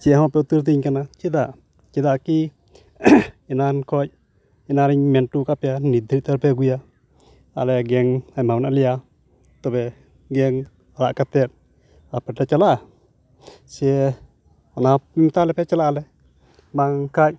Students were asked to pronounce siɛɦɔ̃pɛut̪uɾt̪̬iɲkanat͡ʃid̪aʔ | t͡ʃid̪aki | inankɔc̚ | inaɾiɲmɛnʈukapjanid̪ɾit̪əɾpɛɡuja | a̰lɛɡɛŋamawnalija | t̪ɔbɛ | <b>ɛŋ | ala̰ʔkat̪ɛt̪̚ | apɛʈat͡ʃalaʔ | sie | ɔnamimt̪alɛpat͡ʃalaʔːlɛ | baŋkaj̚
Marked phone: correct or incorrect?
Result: incorrect